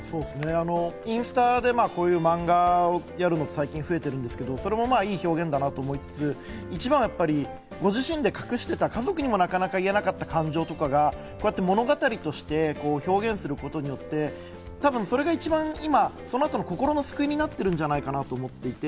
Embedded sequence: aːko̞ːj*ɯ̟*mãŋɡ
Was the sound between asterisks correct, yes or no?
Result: no